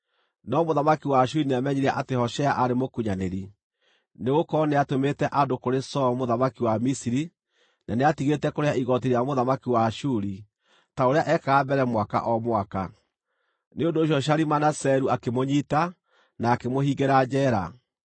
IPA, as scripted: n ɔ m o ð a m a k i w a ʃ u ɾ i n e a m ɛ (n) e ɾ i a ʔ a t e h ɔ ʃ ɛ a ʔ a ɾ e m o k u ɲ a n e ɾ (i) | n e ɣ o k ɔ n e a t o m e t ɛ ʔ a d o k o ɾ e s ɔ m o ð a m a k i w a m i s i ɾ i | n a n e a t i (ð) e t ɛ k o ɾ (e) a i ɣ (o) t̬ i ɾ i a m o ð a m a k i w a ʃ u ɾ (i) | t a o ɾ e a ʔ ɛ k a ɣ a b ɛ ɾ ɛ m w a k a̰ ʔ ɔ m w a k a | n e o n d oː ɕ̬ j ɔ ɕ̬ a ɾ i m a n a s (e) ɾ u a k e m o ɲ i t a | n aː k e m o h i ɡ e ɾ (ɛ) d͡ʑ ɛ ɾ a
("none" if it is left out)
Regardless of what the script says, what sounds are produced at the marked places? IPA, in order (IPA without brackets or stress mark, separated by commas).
ɲ, i, ɣ, e, ɔ, i, ɛ, a